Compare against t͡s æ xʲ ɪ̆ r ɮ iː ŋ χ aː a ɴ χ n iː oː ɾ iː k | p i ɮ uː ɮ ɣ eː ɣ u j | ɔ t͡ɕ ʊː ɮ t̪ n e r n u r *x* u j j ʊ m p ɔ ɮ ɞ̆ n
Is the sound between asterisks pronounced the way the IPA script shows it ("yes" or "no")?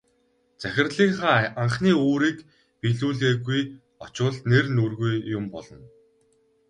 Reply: no